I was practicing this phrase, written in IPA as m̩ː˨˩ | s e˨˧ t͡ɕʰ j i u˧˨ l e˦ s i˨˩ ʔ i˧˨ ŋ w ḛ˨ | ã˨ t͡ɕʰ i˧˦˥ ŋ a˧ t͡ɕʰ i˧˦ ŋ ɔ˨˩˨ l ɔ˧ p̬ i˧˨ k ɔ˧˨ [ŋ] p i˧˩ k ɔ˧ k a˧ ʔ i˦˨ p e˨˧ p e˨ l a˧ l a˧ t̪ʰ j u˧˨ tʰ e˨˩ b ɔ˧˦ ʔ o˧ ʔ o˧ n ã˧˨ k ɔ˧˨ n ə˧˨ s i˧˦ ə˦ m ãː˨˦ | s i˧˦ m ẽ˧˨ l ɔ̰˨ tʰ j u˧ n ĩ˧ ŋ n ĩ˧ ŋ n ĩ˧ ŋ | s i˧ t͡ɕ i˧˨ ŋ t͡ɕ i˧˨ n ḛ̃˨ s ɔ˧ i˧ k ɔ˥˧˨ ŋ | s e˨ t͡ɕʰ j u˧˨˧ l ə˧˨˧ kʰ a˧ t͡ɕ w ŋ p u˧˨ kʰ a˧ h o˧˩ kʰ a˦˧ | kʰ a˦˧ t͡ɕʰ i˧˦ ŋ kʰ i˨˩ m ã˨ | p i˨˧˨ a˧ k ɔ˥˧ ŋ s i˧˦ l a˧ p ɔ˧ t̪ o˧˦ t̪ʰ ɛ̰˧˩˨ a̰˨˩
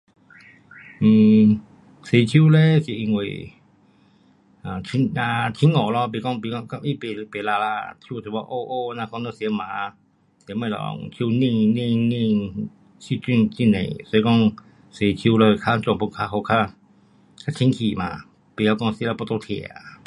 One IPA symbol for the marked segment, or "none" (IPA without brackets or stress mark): ŋ